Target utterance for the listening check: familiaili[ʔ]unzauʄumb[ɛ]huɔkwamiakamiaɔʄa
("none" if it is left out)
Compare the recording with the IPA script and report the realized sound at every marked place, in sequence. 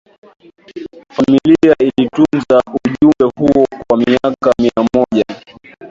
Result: t, ɛ

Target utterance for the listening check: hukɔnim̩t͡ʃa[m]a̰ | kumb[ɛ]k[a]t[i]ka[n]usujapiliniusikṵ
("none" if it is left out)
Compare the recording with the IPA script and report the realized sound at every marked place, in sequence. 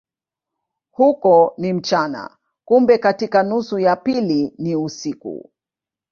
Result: n, ɛ, a, i, n

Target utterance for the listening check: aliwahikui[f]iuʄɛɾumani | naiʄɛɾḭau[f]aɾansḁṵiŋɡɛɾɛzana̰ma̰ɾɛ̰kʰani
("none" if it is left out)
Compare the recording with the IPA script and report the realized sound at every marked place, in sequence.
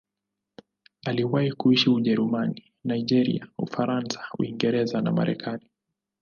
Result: ʃ, f

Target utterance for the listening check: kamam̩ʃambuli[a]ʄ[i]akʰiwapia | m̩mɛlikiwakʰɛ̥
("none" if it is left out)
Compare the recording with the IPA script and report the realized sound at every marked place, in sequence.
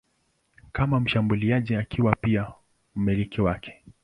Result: a, i

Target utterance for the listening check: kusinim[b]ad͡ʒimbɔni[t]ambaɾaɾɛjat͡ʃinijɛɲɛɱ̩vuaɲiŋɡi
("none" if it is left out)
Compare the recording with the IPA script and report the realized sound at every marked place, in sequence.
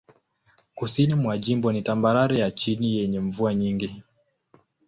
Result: w, t

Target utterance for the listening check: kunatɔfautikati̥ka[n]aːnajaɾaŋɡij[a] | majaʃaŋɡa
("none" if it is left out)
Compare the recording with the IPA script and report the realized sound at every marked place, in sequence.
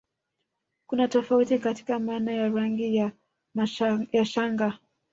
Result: m, a

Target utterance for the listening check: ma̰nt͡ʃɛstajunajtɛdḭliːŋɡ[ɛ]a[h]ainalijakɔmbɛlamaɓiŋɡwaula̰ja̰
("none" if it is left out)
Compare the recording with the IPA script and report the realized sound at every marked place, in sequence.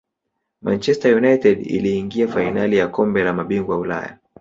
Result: i, f

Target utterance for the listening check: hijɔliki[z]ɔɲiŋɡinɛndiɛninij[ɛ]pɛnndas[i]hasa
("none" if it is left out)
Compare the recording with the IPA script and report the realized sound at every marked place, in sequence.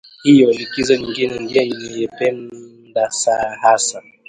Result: z, ɛ, a

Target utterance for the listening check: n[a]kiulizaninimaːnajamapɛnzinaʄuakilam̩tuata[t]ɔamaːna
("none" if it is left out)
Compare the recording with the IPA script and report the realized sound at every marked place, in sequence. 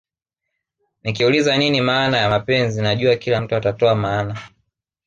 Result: i, t

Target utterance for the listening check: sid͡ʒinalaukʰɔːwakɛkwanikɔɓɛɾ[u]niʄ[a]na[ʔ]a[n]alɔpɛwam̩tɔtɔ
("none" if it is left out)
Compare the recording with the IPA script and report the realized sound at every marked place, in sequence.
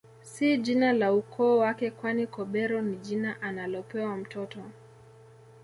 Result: ɔ, i, ʔ, n

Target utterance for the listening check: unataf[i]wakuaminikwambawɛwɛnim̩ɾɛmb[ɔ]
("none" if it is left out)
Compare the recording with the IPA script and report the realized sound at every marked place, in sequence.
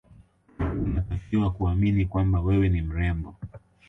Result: i, ɔ

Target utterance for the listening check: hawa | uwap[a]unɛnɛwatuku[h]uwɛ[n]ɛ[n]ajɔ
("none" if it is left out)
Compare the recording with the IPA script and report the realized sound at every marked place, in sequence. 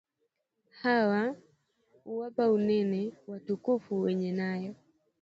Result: a, f, ɲ, n

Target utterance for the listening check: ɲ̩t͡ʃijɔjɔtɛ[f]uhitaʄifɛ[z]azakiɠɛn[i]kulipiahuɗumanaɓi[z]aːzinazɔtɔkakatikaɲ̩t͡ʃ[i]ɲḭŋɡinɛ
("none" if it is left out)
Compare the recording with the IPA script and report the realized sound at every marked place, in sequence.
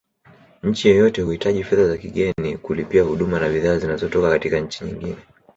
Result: h, ð, i, ð, i

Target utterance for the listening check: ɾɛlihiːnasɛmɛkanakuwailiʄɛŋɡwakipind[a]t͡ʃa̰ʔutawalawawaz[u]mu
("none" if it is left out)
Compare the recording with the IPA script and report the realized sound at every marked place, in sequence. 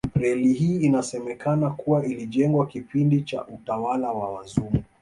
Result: i, u

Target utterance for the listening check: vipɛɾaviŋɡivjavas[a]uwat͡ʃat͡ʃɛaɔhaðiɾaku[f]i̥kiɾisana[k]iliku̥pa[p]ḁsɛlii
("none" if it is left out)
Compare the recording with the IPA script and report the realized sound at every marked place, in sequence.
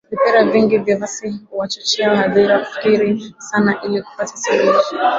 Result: i, f, ʔ, t

